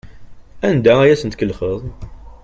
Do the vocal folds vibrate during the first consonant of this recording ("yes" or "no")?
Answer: yes